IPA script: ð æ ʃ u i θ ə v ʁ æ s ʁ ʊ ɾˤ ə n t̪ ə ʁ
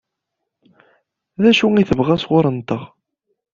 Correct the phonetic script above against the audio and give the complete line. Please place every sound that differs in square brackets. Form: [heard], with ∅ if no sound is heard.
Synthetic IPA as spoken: ð æ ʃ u i θ ə v ʁ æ s ʁ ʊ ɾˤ ə n t̪ ə ʁ